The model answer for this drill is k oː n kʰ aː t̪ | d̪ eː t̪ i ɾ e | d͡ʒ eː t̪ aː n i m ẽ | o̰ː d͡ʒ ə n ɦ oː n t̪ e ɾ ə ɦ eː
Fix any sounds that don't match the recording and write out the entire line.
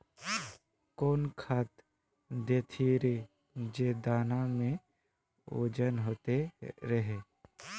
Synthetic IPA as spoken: k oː n kʰ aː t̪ | d̪ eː t̪ʰ i ɾ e | d͡ʒ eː d̪ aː n a m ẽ | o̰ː d͡ʒ ə n ɦ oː t̪ e ɾ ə ɦ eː